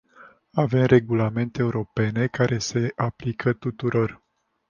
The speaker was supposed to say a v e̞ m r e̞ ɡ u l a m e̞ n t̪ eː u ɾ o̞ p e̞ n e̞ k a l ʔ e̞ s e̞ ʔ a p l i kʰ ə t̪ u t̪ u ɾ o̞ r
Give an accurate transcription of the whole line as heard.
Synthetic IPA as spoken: a v e̞ m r e̞ ɡ u l a m e̞ n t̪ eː u ɾ o̞ p e̞ n e̞ k a ɾ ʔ e̞ s e̞ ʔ a p l i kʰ ə t̪ u t̪ u ɾ o̞ r